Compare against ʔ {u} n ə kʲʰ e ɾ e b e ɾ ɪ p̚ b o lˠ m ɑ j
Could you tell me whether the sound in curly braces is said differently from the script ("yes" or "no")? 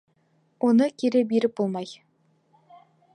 yes